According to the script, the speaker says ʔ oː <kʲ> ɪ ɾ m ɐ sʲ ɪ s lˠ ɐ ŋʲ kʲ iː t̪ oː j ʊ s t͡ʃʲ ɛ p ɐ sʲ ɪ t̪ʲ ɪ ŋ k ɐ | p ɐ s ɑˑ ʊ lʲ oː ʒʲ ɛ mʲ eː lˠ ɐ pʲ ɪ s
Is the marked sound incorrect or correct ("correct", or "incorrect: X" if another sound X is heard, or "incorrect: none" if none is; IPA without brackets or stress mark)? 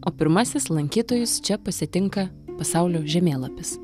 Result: incorrect: pʲ